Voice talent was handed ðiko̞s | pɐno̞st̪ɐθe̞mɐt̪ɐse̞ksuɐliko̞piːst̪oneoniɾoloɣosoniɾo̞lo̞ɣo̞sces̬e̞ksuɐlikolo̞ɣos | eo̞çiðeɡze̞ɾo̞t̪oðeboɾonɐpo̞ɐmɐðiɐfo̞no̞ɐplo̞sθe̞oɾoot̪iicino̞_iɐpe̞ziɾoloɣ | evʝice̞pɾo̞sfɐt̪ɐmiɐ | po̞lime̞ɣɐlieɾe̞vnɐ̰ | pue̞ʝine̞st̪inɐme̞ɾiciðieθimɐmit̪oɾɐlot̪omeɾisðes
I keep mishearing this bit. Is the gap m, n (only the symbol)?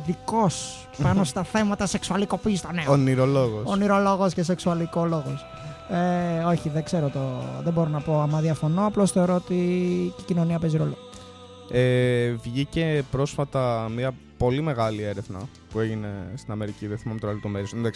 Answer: n